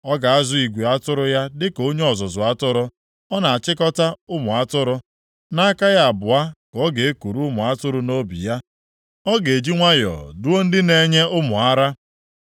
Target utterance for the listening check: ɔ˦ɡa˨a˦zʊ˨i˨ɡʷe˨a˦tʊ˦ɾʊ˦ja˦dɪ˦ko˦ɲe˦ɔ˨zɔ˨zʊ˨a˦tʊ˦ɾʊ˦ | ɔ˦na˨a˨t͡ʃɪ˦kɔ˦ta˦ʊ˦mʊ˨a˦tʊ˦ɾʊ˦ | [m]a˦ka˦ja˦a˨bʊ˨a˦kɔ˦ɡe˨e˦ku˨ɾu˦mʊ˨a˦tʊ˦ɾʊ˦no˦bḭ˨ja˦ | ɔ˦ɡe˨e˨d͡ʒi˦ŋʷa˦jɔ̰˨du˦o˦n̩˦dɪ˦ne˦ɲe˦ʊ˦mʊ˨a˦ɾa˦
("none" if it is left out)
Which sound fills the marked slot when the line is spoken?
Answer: n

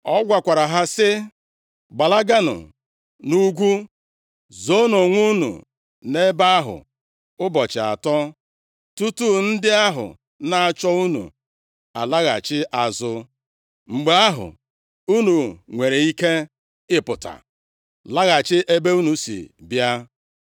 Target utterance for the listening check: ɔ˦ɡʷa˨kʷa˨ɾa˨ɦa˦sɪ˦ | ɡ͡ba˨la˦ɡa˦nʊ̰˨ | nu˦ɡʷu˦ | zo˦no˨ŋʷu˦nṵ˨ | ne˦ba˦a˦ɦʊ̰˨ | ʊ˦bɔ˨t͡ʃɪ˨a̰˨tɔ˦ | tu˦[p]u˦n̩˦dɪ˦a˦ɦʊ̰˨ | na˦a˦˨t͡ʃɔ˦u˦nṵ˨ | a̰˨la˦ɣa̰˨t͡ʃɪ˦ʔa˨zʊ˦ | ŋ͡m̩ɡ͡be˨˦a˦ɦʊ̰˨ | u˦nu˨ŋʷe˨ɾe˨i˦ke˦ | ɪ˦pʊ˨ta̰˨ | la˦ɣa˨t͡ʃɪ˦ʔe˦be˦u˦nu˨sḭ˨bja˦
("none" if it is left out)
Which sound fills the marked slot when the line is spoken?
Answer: t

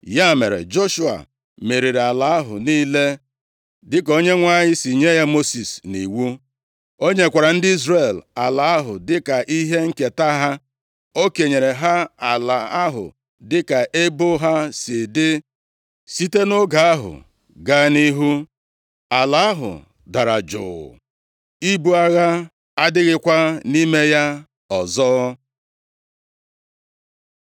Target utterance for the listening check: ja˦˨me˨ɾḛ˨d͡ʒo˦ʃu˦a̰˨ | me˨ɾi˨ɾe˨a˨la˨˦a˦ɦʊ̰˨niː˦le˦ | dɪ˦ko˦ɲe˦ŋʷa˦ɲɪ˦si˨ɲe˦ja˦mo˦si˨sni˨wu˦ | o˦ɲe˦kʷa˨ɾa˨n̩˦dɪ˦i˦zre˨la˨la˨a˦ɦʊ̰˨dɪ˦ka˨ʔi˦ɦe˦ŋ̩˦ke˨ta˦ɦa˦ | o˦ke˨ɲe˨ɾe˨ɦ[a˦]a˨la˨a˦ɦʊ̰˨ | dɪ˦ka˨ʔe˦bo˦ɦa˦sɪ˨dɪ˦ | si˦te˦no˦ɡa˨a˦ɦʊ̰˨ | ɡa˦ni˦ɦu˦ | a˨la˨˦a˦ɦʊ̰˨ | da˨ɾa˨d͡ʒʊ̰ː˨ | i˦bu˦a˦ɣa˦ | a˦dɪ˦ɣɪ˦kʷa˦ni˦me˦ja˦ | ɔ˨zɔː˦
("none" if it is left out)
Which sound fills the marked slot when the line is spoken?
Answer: a˦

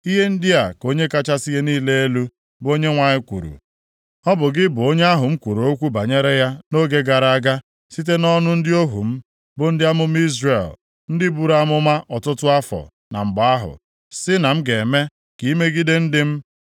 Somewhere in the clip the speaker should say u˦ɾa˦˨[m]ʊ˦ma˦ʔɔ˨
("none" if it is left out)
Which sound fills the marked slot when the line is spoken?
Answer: m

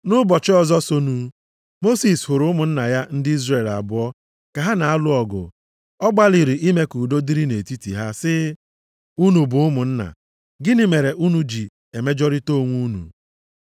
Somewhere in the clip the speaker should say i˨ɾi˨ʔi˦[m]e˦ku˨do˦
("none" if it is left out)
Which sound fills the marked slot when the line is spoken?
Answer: m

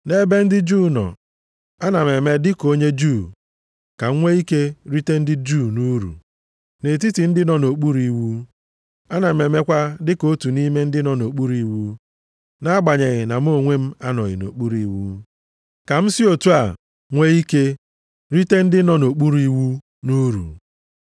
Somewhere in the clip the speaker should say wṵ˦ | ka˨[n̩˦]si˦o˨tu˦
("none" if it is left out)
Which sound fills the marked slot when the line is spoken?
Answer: m̩˦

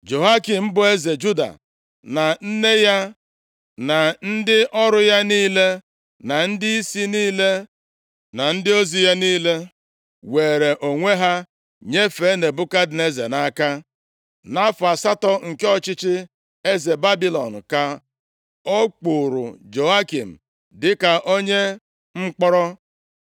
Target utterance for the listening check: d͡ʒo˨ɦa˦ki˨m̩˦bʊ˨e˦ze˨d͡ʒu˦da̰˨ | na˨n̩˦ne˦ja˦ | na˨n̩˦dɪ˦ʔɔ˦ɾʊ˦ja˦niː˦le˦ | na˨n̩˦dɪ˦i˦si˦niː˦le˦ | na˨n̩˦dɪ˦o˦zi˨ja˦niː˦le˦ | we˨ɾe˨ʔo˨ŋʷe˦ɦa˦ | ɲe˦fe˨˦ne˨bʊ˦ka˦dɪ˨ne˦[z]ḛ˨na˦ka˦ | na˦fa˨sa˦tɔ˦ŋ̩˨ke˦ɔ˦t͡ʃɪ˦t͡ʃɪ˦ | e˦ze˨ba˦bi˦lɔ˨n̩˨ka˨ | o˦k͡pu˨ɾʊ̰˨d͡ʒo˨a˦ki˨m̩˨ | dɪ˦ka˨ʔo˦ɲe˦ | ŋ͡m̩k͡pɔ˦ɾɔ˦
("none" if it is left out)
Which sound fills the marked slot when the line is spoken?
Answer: z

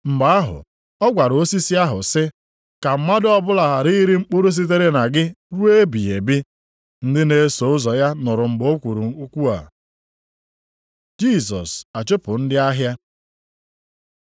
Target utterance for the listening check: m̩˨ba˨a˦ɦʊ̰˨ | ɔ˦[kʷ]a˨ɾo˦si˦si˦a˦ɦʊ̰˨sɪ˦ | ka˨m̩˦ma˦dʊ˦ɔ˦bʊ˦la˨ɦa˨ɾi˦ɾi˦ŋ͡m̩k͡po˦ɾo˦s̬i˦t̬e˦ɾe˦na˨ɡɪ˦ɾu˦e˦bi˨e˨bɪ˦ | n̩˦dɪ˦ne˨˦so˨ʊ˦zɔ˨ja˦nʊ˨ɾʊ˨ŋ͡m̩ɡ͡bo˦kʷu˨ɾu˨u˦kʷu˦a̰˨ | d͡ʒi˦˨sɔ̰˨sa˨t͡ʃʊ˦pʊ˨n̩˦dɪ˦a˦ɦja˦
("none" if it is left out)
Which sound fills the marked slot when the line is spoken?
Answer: ɡʷ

